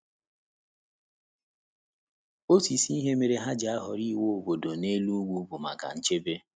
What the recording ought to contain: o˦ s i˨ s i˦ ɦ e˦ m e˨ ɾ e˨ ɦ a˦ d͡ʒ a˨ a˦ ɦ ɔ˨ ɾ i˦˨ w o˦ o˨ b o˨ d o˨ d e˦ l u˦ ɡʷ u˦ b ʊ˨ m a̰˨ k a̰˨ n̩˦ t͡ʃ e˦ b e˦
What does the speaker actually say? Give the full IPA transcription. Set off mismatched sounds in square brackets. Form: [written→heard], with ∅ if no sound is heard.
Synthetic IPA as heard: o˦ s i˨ s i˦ ɦ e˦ m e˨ ɾ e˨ ɦ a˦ d͡ʒ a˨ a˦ ɦ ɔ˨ ɾ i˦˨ w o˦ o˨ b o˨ d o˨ [d→n] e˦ l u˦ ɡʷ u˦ b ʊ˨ m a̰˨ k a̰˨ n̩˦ t͡ʃ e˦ b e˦